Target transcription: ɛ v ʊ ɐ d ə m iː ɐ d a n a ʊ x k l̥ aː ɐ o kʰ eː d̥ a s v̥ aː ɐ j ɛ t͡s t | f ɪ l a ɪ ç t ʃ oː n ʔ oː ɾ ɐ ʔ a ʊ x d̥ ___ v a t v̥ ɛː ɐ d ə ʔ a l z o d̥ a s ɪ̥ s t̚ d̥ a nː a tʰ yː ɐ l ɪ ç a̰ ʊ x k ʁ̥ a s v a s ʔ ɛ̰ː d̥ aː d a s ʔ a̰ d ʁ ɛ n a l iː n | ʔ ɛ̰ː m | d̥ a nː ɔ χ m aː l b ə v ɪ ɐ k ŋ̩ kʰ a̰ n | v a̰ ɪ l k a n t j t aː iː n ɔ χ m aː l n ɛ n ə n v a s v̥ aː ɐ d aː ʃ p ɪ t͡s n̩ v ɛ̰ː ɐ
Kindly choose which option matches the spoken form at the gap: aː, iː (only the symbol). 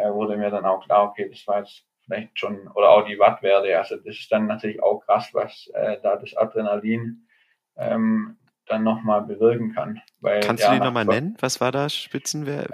iː